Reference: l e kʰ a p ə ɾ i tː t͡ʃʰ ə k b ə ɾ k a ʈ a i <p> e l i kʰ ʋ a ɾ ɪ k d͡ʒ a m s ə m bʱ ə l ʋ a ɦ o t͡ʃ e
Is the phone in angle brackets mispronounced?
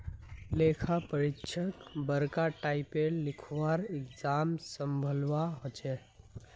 no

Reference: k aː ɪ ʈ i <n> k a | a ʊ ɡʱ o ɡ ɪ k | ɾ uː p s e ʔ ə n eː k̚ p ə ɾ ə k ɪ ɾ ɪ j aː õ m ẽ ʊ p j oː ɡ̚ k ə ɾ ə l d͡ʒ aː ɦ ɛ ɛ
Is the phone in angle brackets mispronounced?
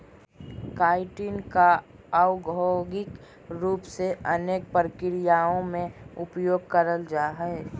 no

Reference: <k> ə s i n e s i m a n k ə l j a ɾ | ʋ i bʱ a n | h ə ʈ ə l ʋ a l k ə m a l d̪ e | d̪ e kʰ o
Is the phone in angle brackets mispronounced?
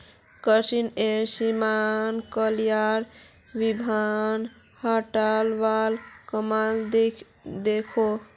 no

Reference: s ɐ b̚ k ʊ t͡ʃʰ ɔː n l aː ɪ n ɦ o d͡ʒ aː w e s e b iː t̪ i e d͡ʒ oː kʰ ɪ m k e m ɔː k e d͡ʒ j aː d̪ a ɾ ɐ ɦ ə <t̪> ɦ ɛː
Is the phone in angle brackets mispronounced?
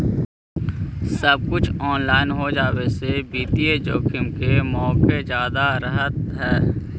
no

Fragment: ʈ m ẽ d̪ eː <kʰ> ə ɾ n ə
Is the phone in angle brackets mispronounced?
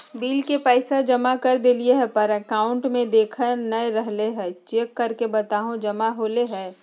no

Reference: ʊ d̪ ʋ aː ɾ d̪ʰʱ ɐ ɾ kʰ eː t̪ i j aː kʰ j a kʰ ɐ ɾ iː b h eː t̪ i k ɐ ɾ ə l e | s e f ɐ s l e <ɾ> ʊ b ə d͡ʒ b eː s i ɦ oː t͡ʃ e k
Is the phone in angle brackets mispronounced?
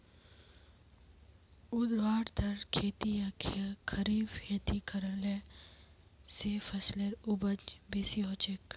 no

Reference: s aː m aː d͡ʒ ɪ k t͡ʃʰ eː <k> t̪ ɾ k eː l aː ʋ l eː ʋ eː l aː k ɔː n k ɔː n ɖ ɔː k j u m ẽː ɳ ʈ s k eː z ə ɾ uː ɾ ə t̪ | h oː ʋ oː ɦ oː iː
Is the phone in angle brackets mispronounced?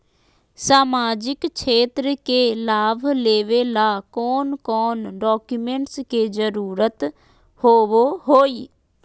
yes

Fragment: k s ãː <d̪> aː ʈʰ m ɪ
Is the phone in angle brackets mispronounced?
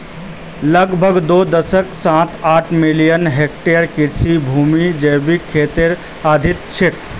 yes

